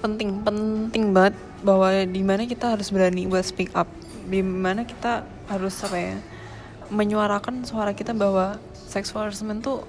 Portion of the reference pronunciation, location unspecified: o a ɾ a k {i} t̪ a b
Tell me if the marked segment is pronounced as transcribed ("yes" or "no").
yes